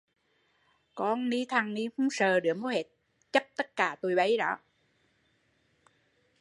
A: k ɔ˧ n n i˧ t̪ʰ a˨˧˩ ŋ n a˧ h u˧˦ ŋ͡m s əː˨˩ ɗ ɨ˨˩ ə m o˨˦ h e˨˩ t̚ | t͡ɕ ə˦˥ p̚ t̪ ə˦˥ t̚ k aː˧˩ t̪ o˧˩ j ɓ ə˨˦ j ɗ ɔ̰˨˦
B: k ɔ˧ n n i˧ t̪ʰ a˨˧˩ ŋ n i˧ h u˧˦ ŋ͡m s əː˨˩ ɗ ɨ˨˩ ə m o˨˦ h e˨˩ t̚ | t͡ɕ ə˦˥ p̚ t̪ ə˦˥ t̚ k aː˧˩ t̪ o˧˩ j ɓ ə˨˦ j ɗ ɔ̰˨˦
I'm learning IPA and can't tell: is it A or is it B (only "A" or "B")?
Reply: B